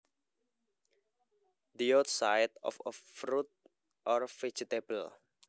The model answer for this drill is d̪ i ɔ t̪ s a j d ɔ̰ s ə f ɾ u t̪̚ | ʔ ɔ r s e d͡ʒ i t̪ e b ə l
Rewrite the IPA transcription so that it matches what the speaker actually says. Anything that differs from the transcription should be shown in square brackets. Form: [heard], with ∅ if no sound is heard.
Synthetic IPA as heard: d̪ i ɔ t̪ s a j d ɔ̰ [f] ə f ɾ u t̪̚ | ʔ ɔ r [f] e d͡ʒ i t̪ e b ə l